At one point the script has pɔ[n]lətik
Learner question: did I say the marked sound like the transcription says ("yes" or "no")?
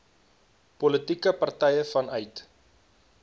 no